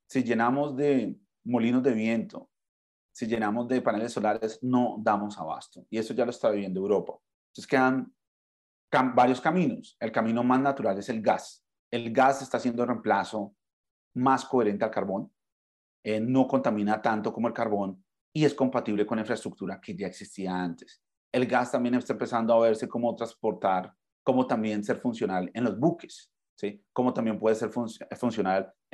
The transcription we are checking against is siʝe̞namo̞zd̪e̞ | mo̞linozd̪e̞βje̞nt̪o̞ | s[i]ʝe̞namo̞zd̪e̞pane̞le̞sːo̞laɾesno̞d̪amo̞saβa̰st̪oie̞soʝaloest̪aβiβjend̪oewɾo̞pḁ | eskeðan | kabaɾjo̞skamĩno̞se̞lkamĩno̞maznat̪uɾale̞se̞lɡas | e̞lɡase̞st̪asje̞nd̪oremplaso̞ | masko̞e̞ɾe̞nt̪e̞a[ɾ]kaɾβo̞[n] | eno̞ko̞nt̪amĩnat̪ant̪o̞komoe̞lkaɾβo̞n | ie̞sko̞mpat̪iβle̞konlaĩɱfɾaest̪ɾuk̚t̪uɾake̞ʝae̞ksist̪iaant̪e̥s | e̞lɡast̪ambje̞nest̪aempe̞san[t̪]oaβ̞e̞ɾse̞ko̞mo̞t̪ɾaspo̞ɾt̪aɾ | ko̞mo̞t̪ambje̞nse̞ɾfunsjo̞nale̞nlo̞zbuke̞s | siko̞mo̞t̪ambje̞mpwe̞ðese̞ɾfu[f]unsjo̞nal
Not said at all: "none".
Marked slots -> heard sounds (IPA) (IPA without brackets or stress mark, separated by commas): i, l, n, d̪, f